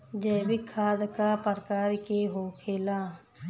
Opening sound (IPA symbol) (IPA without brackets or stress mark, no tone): d͡ʒ